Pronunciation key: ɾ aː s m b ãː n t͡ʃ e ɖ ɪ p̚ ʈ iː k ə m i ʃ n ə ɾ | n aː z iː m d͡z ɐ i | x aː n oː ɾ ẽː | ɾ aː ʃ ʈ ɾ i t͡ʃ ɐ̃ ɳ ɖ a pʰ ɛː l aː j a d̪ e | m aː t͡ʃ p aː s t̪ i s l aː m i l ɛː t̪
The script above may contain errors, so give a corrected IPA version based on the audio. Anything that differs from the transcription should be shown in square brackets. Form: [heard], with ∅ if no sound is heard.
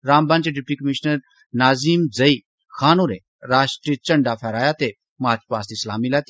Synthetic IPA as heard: ɾ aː [∅] m b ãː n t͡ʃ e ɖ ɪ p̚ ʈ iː k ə m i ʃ n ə ɾ | n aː z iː m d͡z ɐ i | x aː n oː ɾ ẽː | ɾ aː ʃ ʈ ɾ i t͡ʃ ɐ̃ ɳ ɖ a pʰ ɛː [ɾ] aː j a [t̪] e | m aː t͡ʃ p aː s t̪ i s l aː m i l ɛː t̪